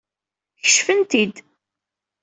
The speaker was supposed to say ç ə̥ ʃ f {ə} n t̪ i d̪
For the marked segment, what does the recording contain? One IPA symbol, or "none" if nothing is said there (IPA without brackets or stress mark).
ə